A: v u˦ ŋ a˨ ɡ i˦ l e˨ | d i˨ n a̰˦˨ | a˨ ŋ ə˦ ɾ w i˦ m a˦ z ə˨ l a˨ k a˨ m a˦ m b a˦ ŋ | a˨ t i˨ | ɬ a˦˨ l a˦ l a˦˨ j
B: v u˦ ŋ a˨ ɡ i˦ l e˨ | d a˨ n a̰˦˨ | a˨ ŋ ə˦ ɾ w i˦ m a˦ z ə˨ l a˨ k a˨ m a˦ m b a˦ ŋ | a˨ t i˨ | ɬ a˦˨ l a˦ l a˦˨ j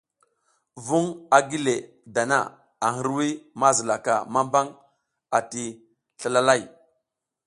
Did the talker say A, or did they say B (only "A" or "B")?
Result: B